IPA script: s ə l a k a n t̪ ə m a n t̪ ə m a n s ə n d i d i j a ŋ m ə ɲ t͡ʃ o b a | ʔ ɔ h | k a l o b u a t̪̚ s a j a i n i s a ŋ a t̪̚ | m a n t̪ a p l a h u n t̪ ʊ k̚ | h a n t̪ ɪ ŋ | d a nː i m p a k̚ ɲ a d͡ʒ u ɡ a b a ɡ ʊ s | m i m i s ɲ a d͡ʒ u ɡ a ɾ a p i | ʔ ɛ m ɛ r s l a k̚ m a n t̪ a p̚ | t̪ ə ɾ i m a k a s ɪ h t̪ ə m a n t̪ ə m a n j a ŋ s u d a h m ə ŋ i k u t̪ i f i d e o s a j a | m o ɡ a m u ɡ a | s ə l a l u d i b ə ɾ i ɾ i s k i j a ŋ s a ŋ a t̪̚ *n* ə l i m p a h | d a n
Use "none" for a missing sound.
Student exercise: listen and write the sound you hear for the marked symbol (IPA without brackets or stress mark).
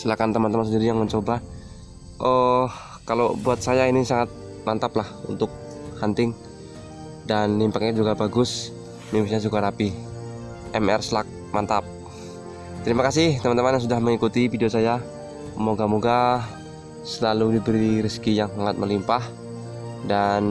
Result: m